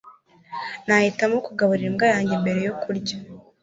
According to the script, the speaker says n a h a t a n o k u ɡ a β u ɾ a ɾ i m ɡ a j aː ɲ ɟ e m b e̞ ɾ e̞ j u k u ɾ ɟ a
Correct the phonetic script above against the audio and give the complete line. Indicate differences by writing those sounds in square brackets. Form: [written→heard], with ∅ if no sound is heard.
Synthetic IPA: n a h [a→i] t a [n→m] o k u ɡ a β u ɾ [a→i] ɾ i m ɡ a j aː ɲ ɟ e m b e̞ ɾ e̞ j [u→o] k u ɾ ɟ a